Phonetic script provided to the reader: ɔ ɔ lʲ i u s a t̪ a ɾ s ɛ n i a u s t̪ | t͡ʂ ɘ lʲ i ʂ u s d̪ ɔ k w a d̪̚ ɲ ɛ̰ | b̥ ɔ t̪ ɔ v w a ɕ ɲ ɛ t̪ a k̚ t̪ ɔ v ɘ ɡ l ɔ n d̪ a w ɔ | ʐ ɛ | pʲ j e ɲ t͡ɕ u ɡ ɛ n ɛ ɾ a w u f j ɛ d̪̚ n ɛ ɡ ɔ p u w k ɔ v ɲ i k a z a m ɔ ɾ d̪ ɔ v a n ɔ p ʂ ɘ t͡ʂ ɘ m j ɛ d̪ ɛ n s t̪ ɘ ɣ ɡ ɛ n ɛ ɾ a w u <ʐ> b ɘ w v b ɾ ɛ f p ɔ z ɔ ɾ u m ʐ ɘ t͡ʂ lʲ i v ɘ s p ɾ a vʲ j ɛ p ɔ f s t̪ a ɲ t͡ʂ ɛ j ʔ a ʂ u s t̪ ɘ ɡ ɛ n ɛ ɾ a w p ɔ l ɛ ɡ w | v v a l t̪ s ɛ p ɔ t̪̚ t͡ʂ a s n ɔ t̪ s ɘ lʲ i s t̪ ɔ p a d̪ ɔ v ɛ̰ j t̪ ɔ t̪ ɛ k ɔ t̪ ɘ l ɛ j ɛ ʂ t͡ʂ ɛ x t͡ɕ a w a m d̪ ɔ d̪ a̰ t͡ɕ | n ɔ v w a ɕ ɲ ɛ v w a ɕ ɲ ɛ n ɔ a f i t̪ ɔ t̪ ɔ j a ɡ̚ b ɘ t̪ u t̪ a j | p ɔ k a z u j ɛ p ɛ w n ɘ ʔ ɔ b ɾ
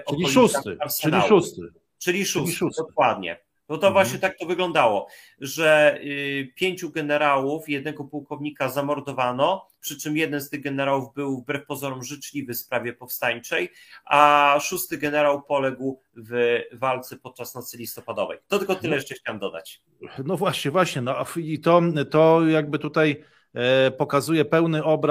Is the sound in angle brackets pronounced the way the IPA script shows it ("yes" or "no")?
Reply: no